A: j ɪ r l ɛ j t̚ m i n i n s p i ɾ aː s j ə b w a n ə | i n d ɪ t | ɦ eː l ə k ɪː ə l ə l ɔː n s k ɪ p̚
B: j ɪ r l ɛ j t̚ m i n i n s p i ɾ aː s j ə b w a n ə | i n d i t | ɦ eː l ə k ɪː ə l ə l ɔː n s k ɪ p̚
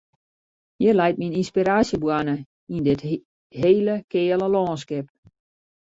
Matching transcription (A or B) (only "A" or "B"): A